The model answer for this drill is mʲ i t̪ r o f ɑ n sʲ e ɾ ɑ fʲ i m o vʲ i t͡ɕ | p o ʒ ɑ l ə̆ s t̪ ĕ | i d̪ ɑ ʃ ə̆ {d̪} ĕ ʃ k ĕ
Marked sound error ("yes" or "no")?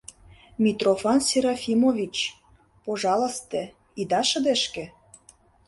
no